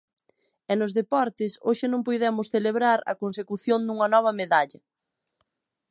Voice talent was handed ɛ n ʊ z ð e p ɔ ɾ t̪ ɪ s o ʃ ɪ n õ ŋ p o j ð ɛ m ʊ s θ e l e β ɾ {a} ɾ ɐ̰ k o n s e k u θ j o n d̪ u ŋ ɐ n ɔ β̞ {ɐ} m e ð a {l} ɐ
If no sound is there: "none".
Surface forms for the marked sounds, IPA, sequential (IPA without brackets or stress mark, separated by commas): a, ɐ, ʎ